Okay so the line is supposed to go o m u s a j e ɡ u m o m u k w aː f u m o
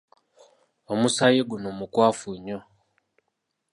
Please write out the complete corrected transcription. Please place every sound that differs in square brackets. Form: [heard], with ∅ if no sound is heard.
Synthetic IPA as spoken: o m u s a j e ɡ u [n] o m u k w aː f u [ɲ] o